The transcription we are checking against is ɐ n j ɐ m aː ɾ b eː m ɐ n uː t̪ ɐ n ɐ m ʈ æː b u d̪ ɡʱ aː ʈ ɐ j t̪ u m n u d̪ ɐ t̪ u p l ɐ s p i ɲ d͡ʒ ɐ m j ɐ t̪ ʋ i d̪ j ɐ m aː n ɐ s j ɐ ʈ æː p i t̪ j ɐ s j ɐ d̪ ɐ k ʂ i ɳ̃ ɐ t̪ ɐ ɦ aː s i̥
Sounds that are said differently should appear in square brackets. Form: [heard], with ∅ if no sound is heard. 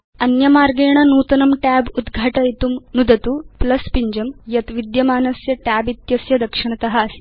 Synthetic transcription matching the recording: ɐ n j ɐ m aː ɾ [ɡ] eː [ɳ] ɐ n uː t̪ ɐ n ɐ m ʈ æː b u d̪ ɡʱ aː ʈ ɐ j t̪ u m n u d̪ ɐ t̪ u p l ɐ s p i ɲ d͡ʒ ɐ m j ɐ t̪ ʋ i d̪ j ɐ m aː n ɐ s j ɐ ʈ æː [b] i t̪ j ɐ s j ɐ d̪ ɐ k ʂ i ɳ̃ ɐ t̪ ɐ ɦ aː s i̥

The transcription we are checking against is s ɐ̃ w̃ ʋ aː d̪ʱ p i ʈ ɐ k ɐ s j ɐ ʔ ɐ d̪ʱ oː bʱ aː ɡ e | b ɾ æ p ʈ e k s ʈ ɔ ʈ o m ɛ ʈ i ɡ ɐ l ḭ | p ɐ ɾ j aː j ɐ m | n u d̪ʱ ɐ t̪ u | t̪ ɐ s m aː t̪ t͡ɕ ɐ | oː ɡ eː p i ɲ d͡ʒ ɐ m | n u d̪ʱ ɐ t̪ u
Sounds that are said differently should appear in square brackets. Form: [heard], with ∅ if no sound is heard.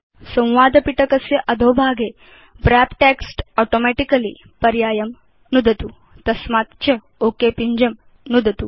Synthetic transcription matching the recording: s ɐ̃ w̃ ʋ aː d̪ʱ p i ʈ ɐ k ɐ s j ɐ ʔ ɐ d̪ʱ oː bʱ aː ɡ e | b ɾ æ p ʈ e k s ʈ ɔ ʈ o m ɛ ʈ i [k] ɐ l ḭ | p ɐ ɾ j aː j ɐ m | n u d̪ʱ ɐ t̪ u | t̪ ɐ s m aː t̪ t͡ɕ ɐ | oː [k] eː p i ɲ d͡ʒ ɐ m | n u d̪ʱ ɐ t̪ u

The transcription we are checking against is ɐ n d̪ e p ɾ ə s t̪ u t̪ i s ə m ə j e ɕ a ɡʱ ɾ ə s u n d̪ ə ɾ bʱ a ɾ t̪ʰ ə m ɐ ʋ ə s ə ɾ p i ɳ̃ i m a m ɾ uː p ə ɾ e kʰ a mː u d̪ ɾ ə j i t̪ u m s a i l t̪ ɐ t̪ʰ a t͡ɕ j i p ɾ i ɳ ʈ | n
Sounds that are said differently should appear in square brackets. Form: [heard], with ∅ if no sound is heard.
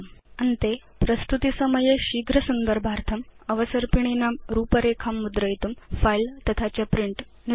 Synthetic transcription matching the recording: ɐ n [t̪] e p ɾ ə s t̪ u t̪ i s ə m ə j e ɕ [i] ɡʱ ɾ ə s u n d̪ ə ɾ bʱ a ɾ t̪ʰ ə m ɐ ʋ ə s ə ɾ p i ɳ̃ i [n] a m ɾ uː p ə ɾ e kʰ a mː u d̪ ɾ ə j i t̪ u m [f] a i l t̪ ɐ t̪ʰ a t͡ɕ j [a] p ɾ i ɳ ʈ | n

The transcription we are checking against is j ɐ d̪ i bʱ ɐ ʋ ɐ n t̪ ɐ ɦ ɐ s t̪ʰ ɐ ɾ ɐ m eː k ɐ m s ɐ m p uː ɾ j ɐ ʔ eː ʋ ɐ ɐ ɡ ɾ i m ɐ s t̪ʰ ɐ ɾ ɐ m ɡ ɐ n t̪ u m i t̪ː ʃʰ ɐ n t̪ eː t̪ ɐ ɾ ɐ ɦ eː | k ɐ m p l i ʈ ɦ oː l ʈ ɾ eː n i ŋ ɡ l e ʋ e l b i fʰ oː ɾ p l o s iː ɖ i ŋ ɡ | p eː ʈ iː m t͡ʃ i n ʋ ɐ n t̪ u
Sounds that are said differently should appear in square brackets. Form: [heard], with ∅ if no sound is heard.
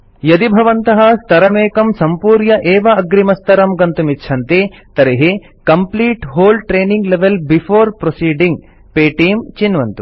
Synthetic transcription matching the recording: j ɐ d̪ i bʱ ɐ ʋ ɐ n t̪ ɐ ɦ ɐ s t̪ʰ ɐ ɾ ɐ m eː k ɐ m s ɐ m p uː ɾ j ɐ ʔ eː ʋ ɐ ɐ ɡ ɾ i m ɐ s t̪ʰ ɐ ɾ ɐ m ɡ ɐ n t̪ u m i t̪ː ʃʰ ɐ n t̪ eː t̪ ɐ ɾ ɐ ɦ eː | k ɐ m p l [iː] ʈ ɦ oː l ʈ ɾ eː n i ŋ ɡ l e ʋ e l b i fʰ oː ɾ p [ɾ] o s iː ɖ i ŋ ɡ | p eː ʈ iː m t͡ʃ i n ʋ ɐ n t̪ u

